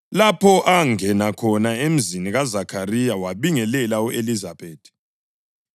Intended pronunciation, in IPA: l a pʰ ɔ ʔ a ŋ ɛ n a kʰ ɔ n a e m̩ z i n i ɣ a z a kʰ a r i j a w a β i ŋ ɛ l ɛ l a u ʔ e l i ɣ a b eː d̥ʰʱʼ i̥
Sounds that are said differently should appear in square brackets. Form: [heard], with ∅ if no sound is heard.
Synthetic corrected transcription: l a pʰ ɔ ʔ a ŋ ɛ n a kʰ ɔ n a e m̩ z i n i ɣ a z a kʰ a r i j a w a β i ŋ ɛ l ɛ l a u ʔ e l i [z] a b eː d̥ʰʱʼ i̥